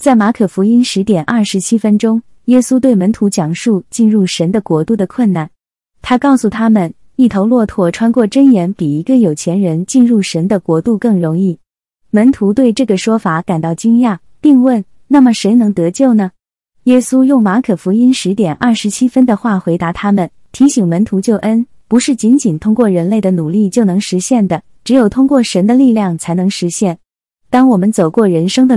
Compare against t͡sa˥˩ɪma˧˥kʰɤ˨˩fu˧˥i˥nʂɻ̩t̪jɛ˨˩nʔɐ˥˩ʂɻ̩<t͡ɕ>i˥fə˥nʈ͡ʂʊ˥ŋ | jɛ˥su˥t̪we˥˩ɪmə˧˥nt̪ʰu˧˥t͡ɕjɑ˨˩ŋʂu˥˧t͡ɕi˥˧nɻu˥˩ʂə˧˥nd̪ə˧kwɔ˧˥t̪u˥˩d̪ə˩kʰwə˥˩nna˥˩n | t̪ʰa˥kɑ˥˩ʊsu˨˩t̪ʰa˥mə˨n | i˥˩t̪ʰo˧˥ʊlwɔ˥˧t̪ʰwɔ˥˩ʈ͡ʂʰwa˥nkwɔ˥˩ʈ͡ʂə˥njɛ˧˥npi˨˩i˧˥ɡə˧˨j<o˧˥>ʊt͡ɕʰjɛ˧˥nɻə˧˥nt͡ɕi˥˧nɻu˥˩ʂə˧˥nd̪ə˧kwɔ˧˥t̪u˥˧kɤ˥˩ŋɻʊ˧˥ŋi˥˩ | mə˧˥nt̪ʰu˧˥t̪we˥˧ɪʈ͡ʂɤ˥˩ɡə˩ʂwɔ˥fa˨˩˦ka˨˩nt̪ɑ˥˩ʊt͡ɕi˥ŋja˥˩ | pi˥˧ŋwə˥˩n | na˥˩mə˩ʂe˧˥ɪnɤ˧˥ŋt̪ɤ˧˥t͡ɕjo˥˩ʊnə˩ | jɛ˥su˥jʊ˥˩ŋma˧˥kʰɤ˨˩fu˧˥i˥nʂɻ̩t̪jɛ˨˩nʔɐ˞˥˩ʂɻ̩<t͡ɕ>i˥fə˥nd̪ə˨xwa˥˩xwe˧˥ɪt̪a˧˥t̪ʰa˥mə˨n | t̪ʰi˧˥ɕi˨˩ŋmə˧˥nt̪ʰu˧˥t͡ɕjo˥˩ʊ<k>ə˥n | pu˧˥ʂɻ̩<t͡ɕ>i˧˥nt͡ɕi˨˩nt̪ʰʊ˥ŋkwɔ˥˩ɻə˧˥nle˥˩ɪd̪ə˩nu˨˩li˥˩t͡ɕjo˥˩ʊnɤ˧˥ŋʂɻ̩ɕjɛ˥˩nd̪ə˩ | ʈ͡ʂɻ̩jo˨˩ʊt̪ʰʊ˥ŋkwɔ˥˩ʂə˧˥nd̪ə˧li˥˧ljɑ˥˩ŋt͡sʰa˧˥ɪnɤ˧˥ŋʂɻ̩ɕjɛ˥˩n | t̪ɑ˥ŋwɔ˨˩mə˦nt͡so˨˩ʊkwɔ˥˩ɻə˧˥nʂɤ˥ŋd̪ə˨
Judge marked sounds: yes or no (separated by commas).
no, no, no, no, yes